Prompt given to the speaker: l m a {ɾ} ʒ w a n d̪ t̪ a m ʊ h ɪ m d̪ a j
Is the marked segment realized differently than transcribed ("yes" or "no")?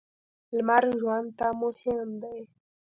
no